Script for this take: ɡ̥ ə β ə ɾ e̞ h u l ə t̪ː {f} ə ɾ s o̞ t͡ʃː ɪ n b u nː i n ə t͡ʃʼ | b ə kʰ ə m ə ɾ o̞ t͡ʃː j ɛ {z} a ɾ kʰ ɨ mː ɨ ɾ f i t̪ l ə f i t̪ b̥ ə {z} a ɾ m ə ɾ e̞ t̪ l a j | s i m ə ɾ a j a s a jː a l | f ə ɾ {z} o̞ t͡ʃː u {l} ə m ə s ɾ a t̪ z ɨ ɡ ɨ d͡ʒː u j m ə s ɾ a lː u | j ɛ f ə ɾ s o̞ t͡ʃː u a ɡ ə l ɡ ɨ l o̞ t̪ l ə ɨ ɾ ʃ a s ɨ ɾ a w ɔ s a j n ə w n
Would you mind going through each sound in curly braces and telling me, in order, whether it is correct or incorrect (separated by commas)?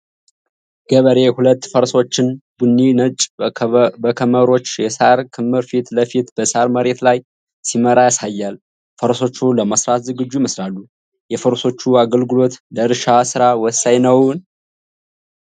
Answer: correct, incorrect, incorrect, incorrect, correct